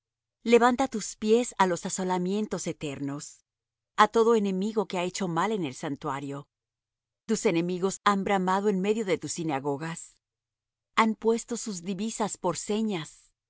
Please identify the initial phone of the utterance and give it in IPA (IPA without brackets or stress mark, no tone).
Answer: l